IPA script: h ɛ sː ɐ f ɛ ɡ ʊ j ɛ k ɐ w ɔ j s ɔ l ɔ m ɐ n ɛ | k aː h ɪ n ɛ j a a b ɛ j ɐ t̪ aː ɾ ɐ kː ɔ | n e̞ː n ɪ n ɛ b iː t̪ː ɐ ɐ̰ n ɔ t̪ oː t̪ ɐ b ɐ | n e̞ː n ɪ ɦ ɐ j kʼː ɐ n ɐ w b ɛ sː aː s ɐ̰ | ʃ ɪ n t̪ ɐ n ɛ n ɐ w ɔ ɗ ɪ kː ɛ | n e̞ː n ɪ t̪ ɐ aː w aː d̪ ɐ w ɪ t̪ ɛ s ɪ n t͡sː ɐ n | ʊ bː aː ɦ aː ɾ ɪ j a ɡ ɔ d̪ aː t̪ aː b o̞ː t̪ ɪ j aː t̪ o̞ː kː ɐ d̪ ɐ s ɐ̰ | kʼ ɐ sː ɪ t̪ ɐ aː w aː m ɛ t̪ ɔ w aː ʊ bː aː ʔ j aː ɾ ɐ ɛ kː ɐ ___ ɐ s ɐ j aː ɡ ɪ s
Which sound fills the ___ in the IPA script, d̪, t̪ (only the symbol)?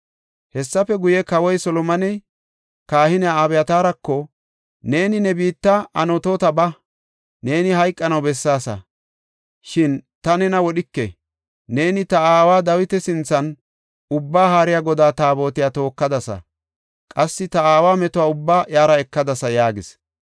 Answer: d̪